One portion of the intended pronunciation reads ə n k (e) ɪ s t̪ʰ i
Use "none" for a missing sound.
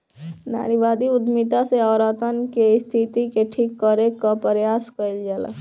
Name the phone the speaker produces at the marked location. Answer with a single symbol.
e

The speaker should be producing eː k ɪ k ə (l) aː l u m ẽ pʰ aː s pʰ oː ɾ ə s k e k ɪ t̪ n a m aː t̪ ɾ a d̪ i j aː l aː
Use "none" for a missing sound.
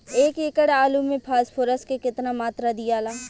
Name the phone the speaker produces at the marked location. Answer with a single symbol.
ɽ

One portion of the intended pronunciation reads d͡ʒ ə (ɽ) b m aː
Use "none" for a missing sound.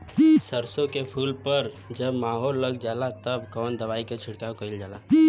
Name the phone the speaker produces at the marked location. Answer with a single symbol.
none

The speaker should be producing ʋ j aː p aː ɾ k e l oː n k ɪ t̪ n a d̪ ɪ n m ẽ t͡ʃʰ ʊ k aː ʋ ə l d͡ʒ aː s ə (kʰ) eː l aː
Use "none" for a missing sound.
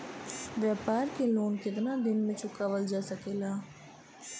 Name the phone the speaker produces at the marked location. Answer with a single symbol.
k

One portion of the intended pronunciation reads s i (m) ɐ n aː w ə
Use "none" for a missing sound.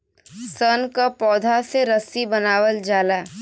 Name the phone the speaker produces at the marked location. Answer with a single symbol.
b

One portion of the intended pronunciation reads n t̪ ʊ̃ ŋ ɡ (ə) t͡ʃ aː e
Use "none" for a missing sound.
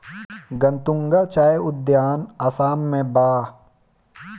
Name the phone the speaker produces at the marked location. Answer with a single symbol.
a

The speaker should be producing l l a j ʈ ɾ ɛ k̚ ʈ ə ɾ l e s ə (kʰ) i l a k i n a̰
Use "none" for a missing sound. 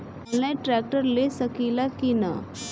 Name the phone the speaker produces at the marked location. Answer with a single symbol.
k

